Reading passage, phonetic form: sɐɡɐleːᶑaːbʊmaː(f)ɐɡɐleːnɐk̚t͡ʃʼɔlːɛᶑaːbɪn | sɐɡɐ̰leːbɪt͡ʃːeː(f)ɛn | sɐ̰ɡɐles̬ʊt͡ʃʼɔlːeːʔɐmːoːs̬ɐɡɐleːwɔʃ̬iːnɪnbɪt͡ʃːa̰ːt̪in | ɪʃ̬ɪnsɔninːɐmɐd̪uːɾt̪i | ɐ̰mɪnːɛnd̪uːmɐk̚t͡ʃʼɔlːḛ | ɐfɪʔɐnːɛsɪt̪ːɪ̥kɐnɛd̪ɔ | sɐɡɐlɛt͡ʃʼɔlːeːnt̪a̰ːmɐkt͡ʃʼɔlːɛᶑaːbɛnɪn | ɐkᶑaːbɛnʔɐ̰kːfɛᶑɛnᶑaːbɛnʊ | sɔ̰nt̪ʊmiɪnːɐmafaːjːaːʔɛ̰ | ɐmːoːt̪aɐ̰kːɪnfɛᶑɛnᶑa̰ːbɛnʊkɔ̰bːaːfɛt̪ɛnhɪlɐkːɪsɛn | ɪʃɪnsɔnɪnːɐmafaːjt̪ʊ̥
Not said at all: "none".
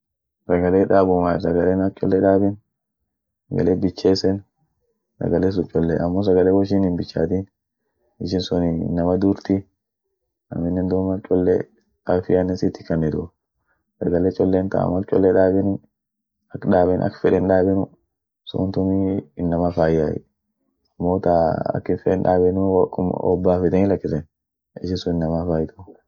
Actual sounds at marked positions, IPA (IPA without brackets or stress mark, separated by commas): s, s